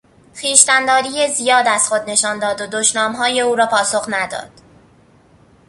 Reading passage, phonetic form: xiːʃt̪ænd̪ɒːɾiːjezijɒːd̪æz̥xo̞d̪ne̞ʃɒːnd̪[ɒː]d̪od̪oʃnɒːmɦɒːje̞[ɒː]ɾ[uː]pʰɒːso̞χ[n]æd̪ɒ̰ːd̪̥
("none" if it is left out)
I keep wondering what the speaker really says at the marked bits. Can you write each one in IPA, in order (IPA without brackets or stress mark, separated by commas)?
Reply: ɒː, uː, ɒː, n